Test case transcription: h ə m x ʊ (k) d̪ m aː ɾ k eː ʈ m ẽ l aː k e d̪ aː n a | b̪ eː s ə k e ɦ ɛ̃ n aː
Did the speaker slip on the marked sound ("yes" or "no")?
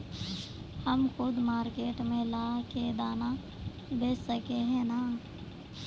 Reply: yes